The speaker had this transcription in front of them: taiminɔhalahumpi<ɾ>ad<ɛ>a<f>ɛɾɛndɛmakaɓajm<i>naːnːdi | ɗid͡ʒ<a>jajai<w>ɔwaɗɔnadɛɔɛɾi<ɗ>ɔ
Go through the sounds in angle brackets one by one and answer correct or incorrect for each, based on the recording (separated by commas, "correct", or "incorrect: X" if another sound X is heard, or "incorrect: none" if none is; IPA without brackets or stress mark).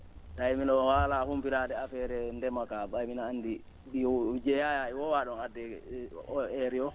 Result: correct, correct, correct, correct, incorrect: ɛ, correct, incorrect: none